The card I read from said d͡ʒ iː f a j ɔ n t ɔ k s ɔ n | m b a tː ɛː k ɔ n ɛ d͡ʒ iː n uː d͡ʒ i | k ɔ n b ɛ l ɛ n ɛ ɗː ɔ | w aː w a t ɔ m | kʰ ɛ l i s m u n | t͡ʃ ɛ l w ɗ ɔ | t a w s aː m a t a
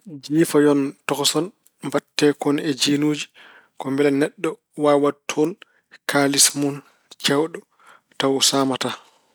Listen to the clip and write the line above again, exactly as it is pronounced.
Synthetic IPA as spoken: d͡ʒ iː f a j ɔ n t ɔ k s ɔ n | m b a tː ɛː k ɔ n ɛ d͡ʒ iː n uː d͡ʒ i | k ɔ m b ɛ l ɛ n ɛ ɗː ɔ | w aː w a tʰ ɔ n | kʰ a l i s m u n | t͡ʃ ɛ w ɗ ɔ | t a w s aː m a t a